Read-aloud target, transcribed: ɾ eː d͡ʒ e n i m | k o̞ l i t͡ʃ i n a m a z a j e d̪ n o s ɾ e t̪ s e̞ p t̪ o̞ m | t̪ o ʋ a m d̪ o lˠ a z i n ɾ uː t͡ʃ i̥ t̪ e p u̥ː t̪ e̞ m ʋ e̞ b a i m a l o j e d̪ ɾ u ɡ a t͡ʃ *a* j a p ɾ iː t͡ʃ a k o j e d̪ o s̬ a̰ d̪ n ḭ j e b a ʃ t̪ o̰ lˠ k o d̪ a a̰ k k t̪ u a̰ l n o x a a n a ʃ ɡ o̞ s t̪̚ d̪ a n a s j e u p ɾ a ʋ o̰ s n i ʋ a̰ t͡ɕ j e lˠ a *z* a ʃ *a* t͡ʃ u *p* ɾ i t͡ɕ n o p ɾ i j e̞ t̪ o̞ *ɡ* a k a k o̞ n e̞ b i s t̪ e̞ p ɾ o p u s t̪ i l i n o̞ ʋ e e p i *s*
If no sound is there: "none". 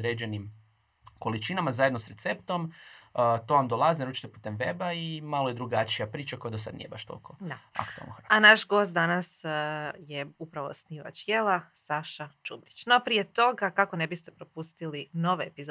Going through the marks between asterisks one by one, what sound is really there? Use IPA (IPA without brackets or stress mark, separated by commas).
i, s, a, b, ɡ, z